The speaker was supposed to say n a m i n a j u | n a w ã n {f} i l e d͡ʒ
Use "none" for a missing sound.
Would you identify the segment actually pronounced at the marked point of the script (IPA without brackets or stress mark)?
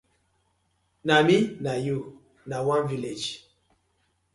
v